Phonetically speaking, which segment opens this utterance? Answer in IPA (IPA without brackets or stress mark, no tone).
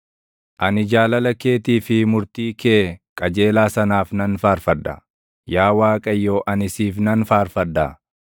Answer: ʔ